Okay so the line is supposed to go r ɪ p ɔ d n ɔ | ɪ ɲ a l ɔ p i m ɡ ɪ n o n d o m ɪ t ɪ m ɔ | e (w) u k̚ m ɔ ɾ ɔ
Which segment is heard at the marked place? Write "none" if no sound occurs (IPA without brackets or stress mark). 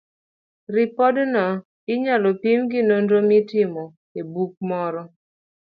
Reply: b